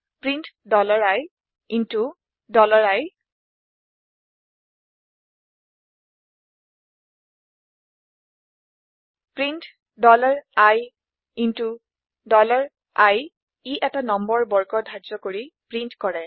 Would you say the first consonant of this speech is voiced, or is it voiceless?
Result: voiceless